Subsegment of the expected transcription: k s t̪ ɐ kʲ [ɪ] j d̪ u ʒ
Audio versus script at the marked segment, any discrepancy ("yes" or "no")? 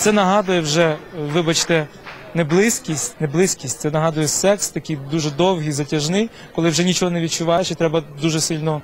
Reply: yes